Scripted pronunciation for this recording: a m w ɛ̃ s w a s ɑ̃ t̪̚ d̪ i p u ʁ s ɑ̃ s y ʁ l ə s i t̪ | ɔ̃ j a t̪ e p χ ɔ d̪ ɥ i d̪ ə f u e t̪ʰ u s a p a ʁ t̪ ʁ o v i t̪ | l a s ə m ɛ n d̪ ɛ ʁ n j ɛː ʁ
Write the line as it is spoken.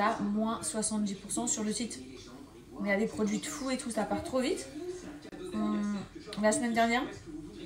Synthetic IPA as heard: a m w ɛ̃ s w a s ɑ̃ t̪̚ d̪ i p u ʁ s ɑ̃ s y ʁ l ə s i t̪ | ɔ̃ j a d̪ e p χ ɔ d̪ ɥ i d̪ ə f u e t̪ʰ u s a p a ʁ t̪ χ o v i t̪ | l a s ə m ɛ n d̪ ɛ ʁ n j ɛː ʁ